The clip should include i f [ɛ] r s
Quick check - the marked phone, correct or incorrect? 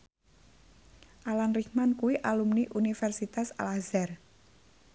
correct